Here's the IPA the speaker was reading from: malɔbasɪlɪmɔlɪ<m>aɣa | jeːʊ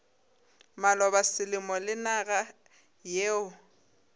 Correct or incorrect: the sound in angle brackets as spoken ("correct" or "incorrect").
incorrect